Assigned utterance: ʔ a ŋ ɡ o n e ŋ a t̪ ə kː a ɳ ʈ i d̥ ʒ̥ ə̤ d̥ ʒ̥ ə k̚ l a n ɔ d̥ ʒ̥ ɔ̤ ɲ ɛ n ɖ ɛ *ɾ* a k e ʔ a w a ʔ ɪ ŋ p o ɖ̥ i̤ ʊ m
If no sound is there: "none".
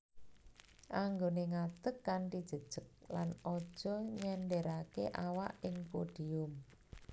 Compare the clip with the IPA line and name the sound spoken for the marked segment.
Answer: ɾ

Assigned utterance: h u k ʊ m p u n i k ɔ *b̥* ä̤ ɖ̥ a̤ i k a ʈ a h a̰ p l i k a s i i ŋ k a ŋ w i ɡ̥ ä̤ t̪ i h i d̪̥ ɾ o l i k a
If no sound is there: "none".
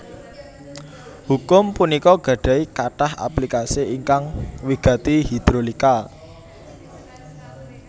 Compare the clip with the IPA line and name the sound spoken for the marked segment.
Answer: ɡ̥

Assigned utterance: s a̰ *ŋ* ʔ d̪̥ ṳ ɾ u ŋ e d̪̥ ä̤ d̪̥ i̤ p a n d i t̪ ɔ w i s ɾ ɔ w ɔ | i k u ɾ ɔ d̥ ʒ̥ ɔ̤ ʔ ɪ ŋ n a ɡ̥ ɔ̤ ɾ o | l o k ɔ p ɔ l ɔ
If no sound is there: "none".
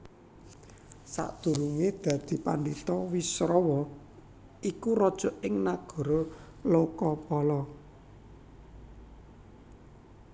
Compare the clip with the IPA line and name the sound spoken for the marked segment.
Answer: none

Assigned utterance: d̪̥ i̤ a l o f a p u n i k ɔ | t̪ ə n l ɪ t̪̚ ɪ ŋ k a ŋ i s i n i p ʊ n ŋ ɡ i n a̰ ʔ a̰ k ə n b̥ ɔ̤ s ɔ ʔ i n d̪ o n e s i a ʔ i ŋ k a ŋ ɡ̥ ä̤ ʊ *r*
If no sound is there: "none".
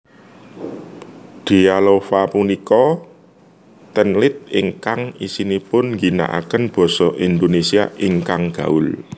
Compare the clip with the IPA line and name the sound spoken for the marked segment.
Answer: l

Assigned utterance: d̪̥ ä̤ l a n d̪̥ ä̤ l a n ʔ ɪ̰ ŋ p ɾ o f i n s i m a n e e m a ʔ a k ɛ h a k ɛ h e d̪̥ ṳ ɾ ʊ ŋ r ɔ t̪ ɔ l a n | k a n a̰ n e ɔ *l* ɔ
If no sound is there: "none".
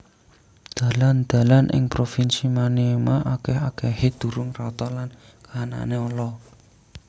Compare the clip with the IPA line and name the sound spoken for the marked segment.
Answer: l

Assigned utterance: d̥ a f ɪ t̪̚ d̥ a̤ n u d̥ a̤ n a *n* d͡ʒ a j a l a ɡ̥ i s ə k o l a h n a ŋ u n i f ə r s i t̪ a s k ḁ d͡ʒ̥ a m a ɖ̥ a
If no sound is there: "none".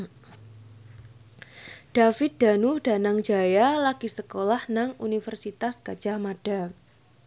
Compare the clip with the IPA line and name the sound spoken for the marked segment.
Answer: ŋ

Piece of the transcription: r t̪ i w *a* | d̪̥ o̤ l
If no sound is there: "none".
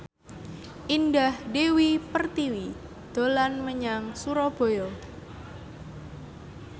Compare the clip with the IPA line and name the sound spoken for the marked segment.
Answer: i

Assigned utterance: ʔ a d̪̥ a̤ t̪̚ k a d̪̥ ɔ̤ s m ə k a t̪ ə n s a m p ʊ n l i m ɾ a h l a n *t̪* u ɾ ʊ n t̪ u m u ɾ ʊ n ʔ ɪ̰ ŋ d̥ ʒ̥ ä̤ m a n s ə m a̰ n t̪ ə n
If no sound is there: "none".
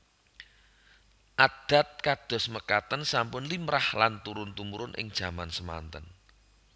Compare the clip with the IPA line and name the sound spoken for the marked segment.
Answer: t̪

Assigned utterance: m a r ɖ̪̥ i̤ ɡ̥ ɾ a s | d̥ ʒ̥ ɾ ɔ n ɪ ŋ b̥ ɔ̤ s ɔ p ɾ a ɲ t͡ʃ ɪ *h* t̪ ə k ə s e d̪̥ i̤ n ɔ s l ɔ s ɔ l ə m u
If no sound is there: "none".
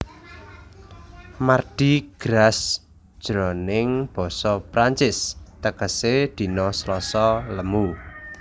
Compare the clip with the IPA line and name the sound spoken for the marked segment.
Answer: s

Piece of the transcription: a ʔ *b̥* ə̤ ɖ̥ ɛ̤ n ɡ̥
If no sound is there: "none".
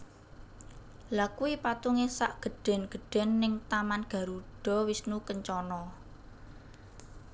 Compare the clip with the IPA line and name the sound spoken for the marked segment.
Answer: ɡ̥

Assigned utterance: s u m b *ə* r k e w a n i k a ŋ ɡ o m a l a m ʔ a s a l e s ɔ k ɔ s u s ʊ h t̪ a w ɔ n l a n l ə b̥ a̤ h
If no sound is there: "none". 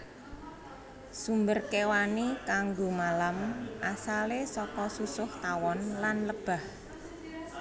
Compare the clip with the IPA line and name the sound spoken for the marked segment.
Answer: ə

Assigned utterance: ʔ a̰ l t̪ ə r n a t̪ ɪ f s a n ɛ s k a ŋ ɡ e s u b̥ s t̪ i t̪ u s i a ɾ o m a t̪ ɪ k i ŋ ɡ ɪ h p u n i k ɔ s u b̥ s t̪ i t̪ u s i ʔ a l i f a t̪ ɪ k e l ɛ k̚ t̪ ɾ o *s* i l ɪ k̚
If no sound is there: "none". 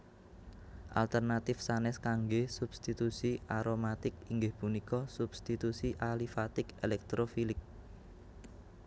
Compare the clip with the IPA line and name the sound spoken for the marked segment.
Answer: f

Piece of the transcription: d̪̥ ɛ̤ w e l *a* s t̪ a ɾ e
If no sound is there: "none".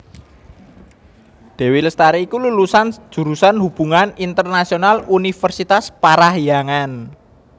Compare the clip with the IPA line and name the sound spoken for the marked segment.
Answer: ə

